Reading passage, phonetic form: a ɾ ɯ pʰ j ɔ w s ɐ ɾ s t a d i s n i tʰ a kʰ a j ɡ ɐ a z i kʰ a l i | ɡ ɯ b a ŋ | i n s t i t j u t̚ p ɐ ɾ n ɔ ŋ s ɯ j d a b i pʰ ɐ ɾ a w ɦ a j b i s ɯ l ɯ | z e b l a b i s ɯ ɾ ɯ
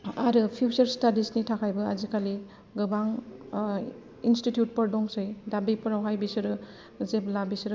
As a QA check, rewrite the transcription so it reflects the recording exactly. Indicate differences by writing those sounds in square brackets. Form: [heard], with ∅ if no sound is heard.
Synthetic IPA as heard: a ɾ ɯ pʰ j [u] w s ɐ ɾ s t a d i s n i tʰ a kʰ a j [b] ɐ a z i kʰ a l i | ɡ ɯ b a ŋ | i n s t i t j u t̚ p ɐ ɾ [d] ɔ ŋ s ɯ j d a b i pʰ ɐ ɾ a w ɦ a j b i s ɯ [ɾ] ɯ | z e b l a b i s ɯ ɾ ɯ